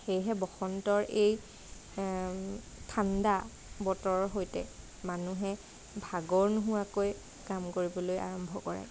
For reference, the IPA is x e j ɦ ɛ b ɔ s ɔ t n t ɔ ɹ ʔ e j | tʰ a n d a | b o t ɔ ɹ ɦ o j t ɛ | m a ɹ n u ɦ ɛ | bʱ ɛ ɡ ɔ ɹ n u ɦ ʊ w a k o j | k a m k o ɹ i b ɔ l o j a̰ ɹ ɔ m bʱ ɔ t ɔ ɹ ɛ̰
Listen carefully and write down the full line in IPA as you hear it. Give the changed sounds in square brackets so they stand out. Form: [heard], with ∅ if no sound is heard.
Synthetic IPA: x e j ɦ ɛ b ɔ [x] ɔ [∅] n t ɔ ɹ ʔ e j | tʰ a n d a | b [ɔ] t ɔ ɹ ɦ o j t ɛ | m a [∅] n u ɦ ɛ | bʱ [a] ɡ ɔ ɹ n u ɦ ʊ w a k o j | k a m k o ɹ i b ɔ l o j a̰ ɹ ɔ m bʱ ɔ [k] ɔ ɹ ɛ̰